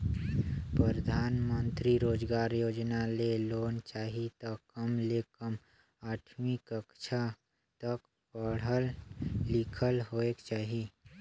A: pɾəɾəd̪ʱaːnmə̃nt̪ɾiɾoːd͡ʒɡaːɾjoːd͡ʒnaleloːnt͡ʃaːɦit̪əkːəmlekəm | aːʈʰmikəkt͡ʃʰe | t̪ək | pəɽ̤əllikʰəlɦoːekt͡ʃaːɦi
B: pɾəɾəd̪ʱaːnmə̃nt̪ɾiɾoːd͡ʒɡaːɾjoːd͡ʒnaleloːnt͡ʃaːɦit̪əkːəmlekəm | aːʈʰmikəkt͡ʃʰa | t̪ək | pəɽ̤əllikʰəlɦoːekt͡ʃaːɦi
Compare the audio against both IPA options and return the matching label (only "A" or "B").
B